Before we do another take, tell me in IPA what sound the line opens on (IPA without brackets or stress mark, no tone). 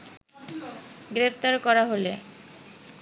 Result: ɡ